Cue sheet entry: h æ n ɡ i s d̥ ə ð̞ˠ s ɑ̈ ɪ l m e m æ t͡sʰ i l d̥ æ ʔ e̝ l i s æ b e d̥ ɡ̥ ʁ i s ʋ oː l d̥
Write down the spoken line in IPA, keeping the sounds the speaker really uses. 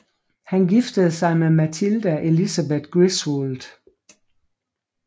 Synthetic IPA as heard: h æ n ɡ i f d̥ ə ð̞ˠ s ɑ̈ ɪ m e m æ t͡sʰ i l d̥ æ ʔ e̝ l i s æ b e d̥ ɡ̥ ʁ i s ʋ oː l d̥

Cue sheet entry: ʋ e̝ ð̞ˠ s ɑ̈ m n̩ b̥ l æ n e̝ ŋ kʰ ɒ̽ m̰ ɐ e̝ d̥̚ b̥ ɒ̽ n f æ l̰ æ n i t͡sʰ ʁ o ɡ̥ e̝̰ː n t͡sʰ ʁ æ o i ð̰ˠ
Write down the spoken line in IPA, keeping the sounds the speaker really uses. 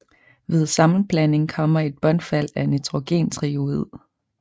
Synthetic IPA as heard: ʋ e̝ ð̞ˠ s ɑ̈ m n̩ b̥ l æ n e̝ ŋ kʰ ɒ̽ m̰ ɐ e̝ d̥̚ b̥ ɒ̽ n f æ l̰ æ n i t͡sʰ ʁ o ɡ̥ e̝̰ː n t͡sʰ ʁ i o i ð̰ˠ

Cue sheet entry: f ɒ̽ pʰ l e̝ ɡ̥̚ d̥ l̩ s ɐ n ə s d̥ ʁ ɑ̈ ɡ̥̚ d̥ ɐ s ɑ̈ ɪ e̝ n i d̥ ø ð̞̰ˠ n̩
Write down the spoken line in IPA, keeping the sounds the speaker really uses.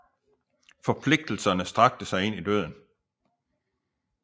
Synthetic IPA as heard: f ɒ̽ pʰ l e̝ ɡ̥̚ d̥ l̩ s ɐ n ə s d̥ ʁ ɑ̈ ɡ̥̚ d̥ ə s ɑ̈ ɪ e̝ n i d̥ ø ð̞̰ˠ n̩

